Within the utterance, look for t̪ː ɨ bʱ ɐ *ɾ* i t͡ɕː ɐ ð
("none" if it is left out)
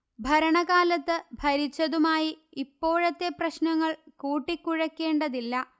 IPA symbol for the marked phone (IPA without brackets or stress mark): ɾ